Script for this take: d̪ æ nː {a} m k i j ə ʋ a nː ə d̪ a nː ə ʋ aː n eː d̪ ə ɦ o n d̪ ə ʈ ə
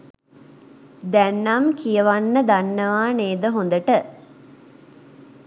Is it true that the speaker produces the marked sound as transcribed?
yes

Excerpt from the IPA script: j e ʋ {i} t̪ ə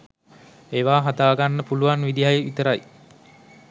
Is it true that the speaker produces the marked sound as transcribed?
yes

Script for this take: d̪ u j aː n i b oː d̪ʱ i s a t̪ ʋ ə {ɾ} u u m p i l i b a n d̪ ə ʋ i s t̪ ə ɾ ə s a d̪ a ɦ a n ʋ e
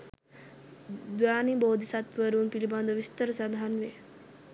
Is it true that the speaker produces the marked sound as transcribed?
yes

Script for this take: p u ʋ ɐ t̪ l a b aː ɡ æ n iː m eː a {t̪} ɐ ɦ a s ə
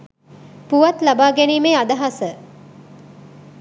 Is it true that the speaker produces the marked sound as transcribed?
no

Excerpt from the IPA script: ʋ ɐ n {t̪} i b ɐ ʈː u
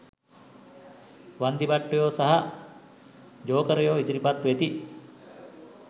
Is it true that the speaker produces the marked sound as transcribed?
no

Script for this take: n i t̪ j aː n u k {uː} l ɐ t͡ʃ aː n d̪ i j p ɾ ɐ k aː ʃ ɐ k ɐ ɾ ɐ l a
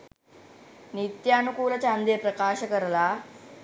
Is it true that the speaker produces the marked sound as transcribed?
yes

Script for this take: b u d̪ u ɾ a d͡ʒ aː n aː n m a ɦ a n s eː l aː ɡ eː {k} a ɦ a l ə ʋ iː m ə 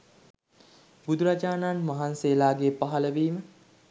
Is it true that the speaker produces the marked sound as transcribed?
no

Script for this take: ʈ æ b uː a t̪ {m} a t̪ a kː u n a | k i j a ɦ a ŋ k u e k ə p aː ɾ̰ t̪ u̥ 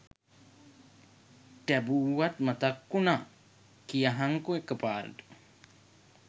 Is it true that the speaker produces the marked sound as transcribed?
yes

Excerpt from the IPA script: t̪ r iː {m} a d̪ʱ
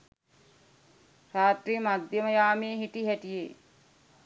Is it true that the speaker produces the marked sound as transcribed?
yes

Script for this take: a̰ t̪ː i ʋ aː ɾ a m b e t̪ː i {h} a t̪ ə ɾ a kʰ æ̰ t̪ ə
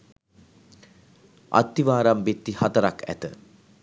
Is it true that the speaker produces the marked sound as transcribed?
yes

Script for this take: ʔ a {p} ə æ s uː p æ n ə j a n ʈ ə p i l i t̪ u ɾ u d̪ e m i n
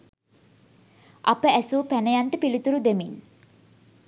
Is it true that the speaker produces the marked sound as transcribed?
yes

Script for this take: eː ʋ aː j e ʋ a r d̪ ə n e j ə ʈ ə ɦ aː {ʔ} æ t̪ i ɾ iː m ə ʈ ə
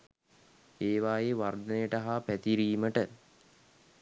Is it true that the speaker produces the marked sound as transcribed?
no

